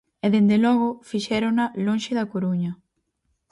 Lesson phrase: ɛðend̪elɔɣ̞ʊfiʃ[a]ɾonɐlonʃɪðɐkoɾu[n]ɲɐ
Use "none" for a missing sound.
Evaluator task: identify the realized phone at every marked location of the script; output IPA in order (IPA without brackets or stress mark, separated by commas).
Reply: ɛ, none